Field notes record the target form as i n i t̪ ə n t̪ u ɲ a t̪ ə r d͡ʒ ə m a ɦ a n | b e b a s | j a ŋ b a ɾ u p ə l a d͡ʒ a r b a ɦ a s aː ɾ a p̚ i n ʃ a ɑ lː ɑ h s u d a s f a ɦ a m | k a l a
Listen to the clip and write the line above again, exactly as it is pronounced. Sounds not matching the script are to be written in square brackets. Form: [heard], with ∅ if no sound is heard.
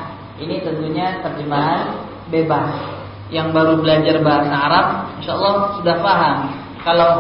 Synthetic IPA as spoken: i n i t̪ ə n t̪ u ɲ a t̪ ə r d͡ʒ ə m a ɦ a n | b e b a s | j a ŋ b a ɾ u [b] ə l a d͡ʒ a r b a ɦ a s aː ɾ a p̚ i n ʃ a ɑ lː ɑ h s u d a [h] f a ɦ a m | k a l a